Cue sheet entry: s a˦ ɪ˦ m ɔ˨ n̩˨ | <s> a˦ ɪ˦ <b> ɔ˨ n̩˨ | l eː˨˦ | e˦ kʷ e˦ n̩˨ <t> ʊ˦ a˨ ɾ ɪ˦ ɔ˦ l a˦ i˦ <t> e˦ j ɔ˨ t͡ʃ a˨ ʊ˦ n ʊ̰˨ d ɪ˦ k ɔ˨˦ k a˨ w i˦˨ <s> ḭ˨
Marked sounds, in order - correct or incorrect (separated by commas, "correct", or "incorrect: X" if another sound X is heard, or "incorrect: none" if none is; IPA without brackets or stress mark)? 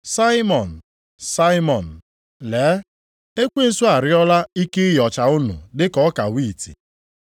correct, incorrect: m, incorrect: s, incorrect: k, incorrect: t